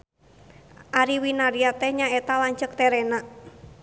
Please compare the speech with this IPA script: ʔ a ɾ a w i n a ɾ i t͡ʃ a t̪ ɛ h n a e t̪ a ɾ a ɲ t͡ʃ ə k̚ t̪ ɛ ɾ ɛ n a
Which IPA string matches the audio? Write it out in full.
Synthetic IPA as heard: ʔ a ɾ i w i n a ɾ i a t̪ ɛ h ɲ a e t̪ a l a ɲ t͡ʃ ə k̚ t̪ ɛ ɾ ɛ n a